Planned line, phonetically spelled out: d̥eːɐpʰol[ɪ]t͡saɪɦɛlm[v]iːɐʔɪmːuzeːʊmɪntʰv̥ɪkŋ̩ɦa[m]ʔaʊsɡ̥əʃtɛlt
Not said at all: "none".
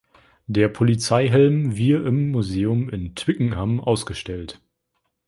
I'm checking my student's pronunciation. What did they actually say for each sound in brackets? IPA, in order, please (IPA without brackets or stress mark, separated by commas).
i, v, m